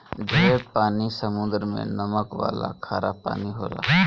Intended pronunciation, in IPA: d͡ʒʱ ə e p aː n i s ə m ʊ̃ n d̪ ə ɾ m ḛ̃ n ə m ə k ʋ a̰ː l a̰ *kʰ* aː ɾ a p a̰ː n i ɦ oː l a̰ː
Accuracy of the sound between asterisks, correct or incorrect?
correct